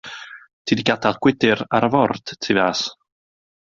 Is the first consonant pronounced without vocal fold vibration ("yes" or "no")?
yes